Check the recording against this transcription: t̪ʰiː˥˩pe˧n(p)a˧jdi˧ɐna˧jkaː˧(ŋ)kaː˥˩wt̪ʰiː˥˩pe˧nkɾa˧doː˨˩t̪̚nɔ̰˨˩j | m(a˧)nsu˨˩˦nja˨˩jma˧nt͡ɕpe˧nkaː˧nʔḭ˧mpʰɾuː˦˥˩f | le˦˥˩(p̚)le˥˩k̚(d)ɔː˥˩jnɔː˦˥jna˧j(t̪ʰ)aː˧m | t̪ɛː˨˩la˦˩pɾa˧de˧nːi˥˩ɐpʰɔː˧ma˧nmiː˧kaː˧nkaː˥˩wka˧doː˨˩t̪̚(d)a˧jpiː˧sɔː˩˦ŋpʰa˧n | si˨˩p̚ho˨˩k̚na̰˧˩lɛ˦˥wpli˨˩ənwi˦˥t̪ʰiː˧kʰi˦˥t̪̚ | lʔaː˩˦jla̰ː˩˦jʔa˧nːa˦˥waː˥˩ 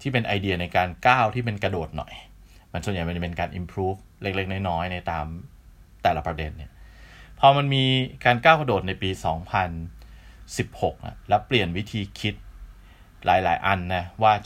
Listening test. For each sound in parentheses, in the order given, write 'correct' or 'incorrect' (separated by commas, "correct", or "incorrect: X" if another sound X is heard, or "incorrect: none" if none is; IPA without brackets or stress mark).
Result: incorrect: ʔ, incorrect: n, correct, incorrect: k̚, incorrect: n, incorrect: t̪, incorrect: n